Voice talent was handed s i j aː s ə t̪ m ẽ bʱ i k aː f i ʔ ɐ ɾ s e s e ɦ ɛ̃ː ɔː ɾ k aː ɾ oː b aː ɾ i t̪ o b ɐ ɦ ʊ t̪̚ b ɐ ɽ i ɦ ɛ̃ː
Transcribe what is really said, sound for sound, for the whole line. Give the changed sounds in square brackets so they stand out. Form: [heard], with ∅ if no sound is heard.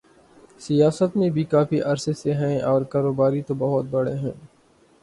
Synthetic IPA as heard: s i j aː s ə t̪ m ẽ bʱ i k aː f i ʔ ɐ ɾ s e s e ɦ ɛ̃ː ɔː ɾ k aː ɾ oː b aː ɾ i t̪ o b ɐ ɦ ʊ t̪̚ b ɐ ɽ [e] ɦ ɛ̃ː

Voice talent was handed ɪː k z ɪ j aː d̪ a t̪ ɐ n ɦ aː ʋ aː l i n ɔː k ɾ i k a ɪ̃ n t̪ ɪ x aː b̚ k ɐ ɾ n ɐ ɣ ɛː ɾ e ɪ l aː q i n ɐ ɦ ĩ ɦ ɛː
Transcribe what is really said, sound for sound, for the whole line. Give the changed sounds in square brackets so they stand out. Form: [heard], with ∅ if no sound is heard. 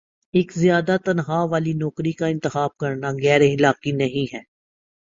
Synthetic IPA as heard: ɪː k z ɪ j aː d̪ a t̪ ɐ n ɦ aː ʋ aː l i n ɔː k ɾ i k a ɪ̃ n t̪ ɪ x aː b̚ k ɐ ɾ n [a] ɣ ɛː ɾ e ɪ l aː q i n ɐ ɦ ĩ ɦ ɛː

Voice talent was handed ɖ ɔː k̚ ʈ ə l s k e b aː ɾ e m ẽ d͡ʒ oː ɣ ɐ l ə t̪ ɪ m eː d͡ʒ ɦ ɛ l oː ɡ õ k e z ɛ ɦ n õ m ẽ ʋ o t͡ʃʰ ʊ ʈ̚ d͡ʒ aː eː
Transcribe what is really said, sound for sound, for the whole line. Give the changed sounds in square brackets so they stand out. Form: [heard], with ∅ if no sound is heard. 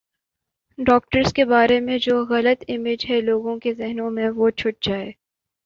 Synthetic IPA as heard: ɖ ɔː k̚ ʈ ə [ɾ] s k e b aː ɾ e m ẽ d͡ʒ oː ɣ ɐ l ə t̪ ɪ m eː d͡ʒ ɦ ɛ l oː ɡ õ k e z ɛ ɦ n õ m ẽ ʋ o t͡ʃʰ ʊ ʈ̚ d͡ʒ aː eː

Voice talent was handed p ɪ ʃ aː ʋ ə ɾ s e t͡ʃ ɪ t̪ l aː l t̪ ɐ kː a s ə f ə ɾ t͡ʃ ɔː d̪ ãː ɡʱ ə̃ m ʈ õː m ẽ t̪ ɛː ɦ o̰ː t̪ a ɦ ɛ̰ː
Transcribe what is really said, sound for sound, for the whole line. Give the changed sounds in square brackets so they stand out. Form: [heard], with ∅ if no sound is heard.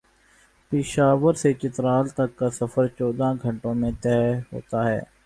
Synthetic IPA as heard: p ɪ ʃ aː ʋ ə ɾ s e t͡ʃ ɪ t̪ [ɾ] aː l t̪ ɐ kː a s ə f ə ɾ t͡ʃ ɔː d̪ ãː ɡʱ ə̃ [ɳ] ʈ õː m ẽ t̪ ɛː ɦ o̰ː t̪ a ɦ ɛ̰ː

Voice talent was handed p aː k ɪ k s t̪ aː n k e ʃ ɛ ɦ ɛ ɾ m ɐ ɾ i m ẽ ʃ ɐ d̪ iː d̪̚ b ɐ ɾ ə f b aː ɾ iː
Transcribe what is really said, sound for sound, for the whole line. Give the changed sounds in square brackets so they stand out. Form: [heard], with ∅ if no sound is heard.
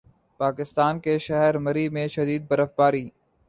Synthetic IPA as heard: p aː k ɪ [∅] s t̪ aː n k e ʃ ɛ ɦ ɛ ɾ m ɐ ɾ i m ẽ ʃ ɐ d̪ iː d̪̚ b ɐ ɾ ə f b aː ɾ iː

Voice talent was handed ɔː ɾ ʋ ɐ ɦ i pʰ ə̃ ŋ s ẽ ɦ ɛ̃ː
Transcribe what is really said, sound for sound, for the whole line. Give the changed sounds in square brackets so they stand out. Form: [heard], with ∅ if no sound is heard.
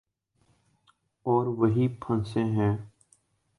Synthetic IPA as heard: ɔː ɾ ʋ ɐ ɦ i pʰ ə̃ [n] s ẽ ɦ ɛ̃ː

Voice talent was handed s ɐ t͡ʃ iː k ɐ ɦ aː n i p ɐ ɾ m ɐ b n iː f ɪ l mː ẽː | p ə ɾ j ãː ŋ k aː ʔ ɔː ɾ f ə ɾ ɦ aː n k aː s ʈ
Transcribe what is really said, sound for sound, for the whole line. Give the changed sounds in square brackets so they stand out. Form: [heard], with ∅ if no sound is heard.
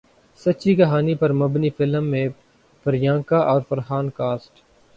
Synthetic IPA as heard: s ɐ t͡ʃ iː k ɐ ɦ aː n i p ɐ ɾ m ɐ b n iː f ɪ l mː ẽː | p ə ɾ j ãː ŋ k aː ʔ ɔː ɾ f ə ɾ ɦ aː n k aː s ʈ

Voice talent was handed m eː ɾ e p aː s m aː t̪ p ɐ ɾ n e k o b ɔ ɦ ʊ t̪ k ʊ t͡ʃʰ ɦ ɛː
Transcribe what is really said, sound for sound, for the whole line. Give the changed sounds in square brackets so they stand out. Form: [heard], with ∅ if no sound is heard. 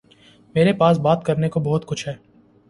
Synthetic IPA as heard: m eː ɾ e p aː s [b] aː t̪ [k] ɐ ɾ n e k o b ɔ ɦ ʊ t̪ k ʊ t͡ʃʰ ɦ ɛː

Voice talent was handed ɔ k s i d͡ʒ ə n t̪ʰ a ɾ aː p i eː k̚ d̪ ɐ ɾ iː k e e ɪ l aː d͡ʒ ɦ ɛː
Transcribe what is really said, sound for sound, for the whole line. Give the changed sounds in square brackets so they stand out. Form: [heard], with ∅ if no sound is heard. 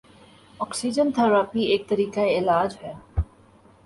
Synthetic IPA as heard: ɔ k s i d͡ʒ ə n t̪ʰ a ɾ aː p i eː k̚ [t̪] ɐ ɾ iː k [a] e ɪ l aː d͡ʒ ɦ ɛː

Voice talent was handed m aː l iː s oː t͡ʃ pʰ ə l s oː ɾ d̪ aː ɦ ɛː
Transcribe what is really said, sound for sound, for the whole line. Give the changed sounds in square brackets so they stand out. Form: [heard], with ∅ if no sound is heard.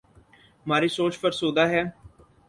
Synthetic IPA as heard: m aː [ɾ] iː s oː t͡ʃ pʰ ə [ɾ] s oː [∅] d̪ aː ɦ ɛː

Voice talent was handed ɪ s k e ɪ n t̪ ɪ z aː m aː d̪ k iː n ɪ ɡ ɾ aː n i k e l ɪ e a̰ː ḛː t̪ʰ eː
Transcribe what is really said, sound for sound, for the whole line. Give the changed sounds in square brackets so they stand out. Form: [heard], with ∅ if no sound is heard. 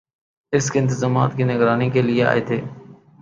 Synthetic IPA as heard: ɪ s k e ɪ n t̪ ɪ z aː m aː [t̪] k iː n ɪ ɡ ɾ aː n i k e l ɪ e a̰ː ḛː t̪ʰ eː

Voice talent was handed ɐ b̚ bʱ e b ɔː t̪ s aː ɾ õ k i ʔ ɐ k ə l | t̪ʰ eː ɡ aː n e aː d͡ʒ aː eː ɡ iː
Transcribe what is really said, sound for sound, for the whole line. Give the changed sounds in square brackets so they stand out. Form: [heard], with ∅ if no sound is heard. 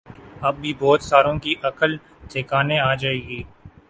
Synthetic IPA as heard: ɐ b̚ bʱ [i] b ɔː t̪ s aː ɾ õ k i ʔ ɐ k ə l | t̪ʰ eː [k] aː n e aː d͡ʒ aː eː ɡ iː

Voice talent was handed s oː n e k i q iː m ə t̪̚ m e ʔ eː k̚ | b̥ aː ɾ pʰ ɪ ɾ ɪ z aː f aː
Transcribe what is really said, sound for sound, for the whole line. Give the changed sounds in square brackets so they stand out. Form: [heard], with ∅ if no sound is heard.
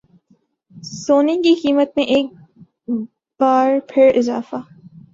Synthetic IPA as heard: s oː n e k i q iː m ə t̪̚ m [ẽ] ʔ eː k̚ | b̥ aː ɾ pʰ ɪ ɾ ɪ z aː f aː

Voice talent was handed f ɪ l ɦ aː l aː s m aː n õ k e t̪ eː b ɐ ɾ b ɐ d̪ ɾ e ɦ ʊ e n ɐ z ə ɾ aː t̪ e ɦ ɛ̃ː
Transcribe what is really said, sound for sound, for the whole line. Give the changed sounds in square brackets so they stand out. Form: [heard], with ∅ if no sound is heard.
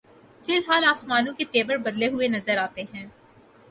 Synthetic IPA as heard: f ɪ l ɦ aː l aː s m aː n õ k e t̪ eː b [ə] ɾ b ɐ d̪ [l] e ɦ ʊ e n ɐ z ə ɾ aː t̪ e ɦ ɛ̃ː

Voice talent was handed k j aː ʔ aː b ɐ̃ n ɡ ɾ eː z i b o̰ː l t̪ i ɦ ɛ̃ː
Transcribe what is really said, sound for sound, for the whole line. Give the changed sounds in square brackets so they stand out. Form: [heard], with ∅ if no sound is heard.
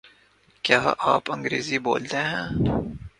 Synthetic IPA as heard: k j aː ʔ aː [p] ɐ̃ [ŋ] ɡ ɾ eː z i b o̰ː l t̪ [e] ɦ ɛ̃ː

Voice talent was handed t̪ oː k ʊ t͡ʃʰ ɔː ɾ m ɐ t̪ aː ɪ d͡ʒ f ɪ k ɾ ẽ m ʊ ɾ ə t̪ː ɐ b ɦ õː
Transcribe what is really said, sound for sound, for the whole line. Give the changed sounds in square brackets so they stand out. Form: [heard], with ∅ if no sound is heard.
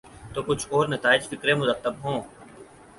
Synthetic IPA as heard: t̪ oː k ʊ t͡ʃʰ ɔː ɾ [n] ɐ t̪ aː ɪ d͡ʒ f ɪ k ɾ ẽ m ʊ ɾ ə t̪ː [ə] b ɦ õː

